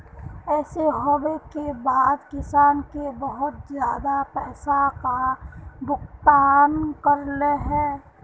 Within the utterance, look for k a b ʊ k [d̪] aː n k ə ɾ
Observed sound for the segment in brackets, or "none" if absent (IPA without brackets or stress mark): t̪